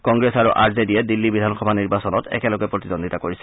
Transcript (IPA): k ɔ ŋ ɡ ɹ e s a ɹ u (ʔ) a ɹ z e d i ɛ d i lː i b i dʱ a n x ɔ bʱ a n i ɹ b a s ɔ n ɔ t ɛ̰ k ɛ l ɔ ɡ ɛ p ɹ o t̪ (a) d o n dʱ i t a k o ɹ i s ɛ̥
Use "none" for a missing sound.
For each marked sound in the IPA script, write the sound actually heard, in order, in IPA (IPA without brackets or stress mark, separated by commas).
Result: ʔ, i